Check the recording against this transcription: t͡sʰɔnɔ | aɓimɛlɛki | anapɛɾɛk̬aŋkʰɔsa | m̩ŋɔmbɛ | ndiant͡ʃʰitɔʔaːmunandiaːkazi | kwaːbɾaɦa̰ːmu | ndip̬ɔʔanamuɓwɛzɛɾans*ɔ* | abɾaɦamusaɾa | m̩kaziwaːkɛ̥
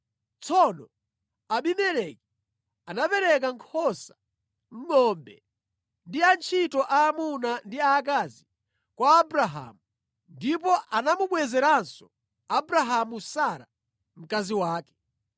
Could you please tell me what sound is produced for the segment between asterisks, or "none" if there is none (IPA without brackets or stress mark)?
ɔ